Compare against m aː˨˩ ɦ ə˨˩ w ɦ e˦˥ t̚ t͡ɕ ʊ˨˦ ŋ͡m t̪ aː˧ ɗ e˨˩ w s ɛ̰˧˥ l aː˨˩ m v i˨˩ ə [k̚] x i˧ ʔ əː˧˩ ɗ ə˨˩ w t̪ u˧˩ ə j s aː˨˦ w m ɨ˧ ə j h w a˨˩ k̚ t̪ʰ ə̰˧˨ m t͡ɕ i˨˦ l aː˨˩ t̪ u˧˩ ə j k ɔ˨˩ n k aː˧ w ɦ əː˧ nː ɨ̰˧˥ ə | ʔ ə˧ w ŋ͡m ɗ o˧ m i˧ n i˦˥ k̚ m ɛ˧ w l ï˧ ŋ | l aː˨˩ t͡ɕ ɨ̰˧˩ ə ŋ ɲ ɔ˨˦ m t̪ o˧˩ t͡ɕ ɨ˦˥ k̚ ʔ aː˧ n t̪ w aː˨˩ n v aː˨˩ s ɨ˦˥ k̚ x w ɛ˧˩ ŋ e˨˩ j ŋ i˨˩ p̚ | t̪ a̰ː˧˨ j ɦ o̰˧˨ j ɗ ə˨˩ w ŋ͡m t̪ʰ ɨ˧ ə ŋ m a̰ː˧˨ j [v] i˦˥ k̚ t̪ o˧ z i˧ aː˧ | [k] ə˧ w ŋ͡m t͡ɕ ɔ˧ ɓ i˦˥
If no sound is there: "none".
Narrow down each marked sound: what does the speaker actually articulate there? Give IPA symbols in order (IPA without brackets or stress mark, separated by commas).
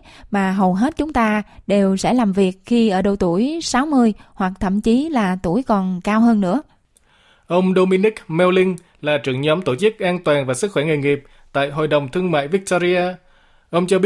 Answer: k̚, v, ʔ